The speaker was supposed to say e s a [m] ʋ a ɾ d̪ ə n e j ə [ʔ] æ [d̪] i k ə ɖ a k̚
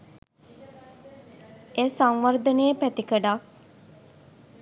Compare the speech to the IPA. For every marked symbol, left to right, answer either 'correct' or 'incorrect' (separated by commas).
incorrect, incorrect, incorrect